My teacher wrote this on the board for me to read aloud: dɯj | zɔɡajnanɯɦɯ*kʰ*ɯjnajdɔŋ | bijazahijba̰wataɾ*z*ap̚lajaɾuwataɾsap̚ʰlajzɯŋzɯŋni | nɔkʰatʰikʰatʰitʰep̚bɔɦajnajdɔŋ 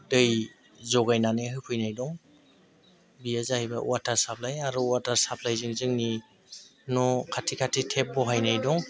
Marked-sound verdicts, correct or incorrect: incorrect: pʰ, incorrect: s

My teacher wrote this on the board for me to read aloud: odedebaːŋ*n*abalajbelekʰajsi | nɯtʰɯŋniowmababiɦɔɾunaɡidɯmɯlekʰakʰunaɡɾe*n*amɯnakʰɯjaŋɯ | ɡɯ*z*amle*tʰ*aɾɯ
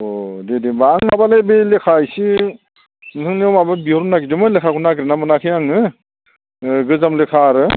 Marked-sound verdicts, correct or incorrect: incorrect: m, correct, correct, incorrect: kʰ

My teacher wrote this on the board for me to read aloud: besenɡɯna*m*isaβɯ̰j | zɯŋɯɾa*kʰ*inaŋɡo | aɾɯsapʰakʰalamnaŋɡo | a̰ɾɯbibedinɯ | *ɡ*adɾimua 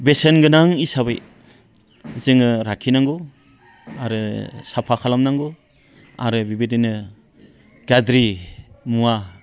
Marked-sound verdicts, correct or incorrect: incorrect: ŋ, correct, correct

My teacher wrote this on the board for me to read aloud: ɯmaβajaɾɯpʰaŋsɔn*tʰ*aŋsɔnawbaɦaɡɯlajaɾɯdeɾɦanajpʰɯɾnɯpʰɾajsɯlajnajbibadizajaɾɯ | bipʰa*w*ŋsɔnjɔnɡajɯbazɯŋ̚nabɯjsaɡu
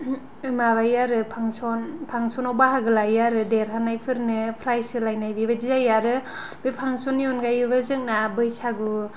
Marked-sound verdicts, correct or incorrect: incorrect: pʰ, incorrect: none

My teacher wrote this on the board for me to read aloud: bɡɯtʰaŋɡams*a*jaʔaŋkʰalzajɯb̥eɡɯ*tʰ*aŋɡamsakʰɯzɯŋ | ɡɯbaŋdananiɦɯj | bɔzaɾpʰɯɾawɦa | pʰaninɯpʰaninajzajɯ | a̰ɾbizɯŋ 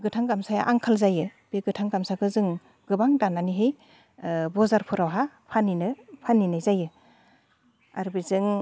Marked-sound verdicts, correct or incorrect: correct, correct

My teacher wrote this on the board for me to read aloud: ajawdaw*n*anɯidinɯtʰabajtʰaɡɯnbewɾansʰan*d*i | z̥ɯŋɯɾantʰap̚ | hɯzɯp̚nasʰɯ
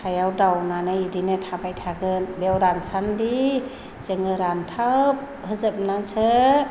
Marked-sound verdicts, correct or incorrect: correct, correct

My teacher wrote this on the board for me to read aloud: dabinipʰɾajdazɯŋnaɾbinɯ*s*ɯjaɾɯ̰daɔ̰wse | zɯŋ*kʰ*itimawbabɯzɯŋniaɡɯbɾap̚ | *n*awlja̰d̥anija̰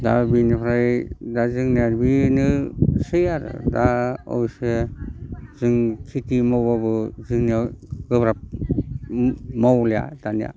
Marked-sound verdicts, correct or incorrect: correct, correct, incorrect: m

